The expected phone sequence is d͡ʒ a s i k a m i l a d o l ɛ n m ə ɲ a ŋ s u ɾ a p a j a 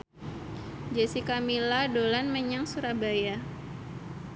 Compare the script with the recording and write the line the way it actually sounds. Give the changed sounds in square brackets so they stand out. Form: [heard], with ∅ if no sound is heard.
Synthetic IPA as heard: d͡ʒ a s i k a m i l a d o l [a] n m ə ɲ a ŋ s u ɾ a [b] a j a